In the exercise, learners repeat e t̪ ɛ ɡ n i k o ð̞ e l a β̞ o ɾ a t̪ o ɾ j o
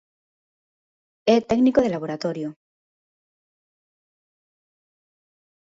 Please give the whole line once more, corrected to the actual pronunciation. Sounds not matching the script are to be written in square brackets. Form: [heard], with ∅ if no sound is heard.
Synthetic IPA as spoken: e t̪ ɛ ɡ n i k o ð̞ e l a β̞ o ɾ a t̪ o ɾ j o